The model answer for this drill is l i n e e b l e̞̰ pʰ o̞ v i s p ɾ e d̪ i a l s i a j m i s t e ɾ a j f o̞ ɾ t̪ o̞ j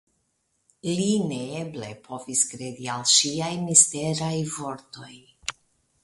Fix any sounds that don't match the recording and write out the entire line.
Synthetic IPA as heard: l i n e e b l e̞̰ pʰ o̞ v i s k ɾ e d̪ i a l ʃ i a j m i s t e ɾ a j v o̞ ɾ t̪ o̞ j